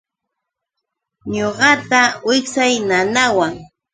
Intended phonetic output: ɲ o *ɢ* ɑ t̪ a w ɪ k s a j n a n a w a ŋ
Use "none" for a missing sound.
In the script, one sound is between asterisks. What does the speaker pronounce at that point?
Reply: ɢ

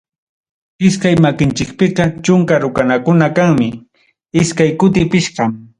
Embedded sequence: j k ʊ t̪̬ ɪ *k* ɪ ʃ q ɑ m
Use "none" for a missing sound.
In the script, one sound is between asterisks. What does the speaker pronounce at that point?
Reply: p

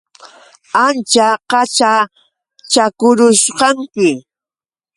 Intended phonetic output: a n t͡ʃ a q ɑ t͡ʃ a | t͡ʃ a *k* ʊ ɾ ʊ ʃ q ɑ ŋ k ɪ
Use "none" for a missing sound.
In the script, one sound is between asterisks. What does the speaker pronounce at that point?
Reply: k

